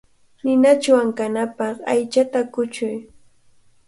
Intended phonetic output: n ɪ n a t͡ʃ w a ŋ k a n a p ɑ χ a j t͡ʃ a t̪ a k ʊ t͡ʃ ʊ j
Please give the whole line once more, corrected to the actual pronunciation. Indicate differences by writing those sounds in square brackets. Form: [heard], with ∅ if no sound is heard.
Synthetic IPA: n ɪ n a t͡ʃ w a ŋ k a n a p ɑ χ a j t͡ʃ a t̪ a k ʊ t͡ʃ ʊ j